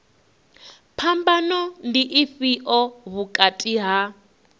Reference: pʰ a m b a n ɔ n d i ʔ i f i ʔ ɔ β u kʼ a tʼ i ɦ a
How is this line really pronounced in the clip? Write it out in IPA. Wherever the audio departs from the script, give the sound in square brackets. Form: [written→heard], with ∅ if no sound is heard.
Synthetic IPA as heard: pʰ a m b a n ɔ n d i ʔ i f i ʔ ɔ β u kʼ a tʼ i ɦ a